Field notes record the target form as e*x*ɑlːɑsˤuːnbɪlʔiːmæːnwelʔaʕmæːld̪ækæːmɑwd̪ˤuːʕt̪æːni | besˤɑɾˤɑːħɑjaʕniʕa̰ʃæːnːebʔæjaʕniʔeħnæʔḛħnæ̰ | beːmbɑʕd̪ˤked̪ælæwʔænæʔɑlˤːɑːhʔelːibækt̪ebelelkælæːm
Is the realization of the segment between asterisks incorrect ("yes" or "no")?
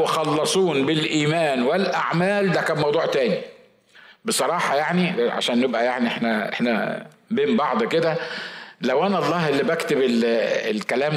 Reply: no